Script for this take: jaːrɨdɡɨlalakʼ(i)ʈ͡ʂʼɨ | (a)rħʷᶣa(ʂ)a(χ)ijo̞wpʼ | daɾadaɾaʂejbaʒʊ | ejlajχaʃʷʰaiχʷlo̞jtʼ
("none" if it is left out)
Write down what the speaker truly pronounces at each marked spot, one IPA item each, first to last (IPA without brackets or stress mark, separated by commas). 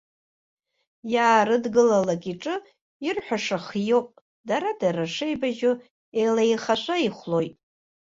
i, i, ʂ, χ